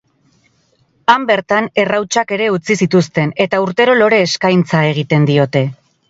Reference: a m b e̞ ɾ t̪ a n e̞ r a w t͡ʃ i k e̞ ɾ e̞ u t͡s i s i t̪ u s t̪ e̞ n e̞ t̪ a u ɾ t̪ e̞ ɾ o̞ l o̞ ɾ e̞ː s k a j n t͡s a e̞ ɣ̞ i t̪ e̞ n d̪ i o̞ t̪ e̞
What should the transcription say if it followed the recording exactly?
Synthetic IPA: a m b e̞ ɾ t̪ a n e̞ r a w t͡ʃ a k e̞ ɾ e̞ u t͡s i s i t̪ u s t̪ e̞ n e̞ t̪ a u ɾ t̪ e̞ ɾ o̞ l o̞ ɾ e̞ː s k a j n t͡s a e̞ ɣ̞ i t̪ e̞ n d̪ i o̞ t̪ e̞